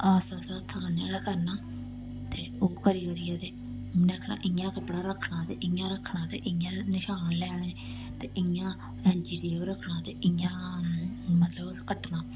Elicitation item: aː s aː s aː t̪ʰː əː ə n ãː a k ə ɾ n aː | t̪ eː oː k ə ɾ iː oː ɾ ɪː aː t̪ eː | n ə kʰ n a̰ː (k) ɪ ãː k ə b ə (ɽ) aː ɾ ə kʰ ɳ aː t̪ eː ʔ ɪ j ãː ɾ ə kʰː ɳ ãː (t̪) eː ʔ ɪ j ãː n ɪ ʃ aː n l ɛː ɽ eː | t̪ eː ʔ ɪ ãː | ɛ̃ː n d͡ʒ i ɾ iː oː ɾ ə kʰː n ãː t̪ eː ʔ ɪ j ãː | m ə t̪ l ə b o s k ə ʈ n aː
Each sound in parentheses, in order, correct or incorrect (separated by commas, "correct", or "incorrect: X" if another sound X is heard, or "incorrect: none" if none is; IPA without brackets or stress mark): incorrect: ʔ, correct, correct